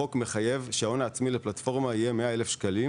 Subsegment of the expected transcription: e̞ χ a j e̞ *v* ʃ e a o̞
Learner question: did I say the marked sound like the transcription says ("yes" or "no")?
yes